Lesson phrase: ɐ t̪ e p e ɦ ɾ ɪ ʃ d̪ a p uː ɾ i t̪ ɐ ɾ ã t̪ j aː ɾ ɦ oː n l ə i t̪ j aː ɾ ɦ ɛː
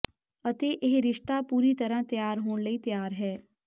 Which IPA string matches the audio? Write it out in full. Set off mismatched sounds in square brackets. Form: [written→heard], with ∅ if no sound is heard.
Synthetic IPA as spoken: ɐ t̪ e [p→ʔ] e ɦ ɾ ɪ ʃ [d̪→t̪] a p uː ɾ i t̪ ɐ ɾ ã t̪ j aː ɾ ɦ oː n l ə i t̪ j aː ɾ ɦ ɛː